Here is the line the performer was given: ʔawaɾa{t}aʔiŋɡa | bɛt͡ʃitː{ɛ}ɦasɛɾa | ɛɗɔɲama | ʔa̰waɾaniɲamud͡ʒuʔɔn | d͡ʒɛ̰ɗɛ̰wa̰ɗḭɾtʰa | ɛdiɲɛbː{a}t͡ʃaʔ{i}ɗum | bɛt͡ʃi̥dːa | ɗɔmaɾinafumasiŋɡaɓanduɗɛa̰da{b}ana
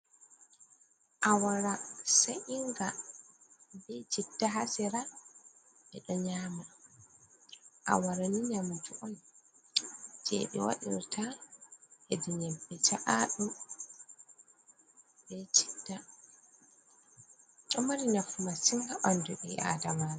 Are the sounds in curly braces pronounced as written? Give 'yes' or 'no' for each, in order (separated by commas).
no, no, no, no, no